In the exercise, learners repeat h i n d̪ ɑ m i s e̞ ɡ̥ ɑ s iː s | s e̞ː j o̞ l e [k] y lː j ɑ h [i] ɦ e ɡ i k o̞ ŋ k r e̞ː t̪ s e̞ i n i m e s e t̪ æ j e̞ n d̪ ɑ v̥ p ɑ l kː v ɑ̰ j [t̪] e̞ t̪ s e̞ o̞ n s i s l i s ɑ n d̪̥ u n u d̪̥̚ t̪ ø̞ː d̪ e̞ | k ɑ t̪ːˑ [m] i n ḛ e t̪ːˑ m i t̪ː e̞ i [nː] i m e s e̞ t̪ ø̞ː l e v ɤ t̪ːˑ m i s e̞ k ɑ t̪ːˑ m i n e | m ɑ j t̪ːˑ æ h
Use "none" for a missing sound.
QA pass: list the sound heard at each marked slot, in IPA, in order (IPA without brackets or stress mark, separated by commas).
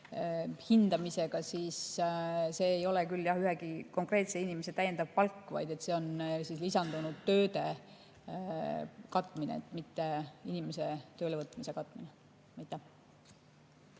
k, y, d̪, m, n